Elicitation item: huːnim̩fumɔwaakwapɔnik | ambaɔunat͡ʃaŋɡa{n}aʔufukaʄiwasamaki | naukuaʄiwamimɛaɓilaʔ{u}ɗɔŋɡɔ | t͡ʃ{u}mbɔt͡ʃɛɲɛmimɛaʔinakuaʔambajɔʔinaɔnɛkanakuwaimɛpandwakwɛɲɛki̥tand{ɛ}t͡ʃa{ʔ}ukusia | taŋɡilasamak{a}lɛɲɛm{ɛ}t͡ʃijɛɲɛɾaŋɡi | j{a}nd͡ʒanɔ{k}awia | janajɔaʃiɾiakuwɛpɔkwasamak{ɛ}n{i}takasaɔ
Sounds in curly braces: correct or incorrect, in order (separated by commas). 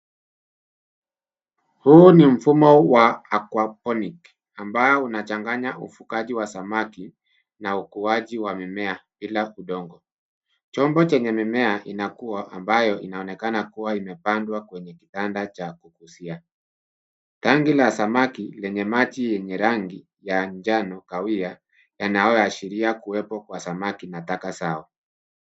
incorrect, correct, incorrect, incorrect, incorrect, incorrect, incorrect, correct, correct, incorrect, incorrect